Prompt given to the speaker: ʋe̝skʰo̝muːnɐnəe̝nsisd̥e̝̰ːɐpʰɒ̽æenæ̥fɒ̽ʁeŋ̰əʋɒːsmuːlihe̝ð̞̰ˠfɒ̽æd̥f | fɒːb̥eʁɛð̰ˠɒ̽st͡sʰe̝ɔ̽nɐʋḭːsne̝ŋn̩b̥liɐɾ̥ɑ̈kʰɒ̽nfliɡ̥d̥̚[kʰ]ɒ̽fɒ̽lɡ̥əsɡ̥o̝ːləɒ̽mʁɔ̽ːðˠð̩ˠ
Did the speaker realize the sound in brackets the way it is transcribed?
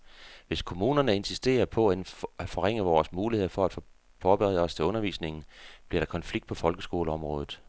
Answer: no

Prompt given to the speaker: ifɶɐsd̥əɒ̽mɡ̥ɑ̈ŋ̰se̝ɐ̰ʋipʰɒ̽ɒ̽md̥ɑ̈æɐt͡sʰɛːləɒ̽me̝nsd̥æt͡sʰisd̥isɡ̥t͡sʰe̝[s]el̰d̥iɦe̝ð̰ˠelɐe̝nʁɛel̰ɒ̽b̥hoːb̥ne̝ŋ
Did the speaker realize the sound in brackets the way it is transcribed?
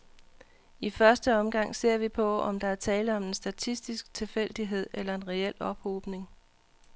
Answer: no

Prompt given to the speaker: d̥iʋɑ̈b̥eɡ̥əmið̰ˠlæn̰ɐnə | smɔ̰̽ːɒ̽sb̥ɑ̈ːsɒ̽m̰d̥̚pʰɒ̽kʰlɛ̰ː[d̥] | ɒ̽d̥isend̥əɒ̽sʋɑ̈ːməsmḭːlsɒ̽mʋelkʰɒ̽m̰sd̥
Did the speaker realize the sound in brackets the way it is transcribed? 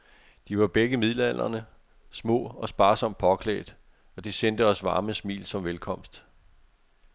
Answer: yes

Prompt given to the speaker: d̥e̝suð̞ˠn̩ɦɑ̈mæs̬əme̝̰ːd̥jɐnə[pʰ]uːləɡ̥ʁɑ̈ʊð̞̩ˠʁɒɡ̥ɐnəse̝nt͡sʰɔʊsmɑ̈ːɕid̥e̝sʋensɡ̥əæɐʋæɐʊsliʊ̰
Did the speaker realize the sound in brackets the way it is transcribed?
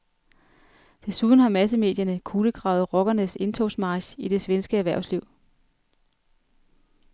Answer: no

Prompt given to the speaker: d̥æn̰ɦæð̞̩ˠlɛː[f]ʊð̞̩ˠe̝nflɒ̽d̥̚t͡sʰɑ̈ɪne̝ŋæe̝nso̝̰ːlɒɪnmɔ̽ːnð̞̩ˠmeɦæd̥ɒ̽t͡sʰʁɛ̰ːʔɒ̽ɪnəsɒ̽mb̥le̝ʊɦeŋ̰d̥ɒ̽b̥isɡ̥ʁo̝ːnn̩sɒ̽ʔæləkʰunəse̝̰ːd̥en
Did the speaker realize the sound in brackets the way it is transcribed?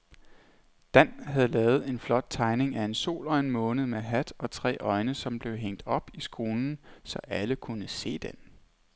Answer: no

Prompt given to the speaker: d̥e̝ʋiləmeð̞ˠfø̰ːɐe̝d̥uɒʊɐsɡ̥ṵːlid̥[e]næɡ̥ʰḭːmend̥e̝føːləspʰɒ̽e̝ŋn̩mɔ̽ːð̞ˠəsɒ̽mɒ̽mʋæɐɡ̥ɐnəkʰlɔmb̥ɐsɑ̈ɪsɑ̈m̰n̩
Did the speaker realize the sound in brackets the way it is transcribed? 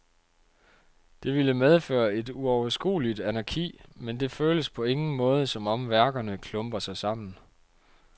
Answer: no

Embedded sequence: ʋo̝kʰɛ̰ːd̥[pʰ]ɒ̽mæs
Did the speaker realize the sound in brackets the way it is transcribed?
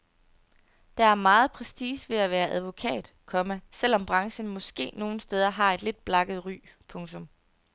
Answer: no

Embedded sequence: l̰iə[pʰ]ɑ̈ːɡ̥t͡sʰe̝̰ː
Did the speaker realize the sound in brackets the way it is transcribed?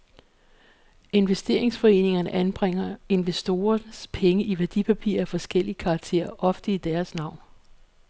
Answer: no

